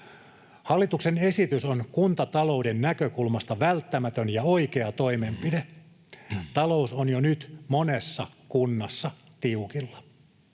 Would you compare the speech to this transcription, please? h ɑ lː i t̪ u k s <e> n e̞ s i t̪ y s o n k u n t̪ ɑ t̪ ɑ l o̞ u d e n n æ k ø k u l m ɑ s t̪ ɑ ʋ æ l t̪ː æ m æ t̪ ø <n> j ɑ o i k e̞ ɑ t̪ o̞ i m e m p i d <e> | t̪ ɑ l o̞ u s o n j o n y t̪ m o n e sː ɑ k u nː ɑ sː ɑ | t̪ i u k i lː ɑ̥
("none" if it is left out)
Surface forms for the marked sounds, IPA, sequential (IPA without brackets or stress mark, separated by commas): e, n, e